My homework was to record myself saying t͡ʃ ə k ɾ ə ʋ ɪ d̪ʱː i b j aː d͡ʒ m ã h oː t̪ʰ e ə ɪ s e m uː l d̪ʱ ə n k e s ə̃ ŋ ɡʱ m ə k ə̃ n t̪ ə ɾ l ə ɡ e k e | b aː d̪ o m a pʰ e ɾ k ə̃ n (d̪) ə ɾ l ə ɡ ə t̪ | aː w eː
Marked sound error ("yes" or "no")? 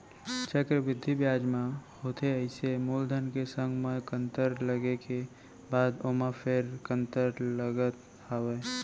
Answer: yes